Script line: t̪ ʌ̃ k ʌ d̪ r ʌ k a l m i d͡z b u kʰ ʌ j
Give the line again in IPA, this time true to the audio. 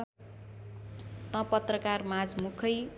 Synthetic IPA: t̪ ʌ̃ p ʌ t̪ r ʌ k a r m a d͡z m u kʰ ʌ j